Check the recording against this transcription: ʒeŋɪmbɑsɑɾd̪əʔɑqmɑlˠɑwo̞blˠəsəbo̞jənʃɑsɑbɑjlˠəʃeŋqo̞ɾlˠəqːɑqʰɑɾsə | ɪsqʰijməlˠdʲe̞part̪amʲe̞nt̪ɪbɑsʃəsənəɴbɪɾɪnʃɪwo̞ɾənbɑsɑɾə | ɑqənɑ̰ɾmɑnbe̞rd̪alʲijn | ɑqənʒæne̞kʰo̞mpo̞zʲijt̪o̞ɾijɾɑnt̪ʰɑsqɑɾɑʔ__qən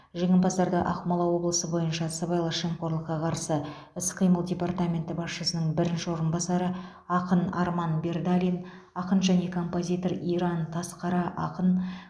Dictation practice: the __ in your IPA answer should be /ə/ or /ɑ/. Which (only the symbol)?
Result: ɑ